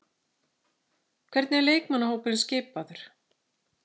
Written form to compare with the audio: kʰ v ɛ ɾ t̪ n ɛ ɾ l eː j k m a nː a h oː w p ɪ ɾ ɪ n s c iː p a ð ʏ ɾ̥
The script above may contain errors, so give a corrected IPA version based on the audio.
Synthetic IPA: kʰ v ɛ ɾ t̪ n ɛ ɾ l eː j k m a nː a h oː w p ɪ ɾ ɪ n s c ɪː p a ð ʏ ɾ̥